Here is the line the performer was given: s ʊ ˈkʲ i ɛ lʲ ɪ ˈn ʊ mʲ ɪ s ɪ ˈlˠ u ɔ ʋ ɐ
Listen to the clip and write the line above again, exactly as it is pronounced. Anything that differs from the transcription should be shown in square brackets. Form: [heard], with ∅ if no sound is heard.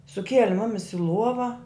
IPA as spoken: s ʊ ˈkʲ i ɛ lʲ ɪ [ˈm] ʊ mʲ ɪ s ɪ ˈlˠ u ɔ ʋ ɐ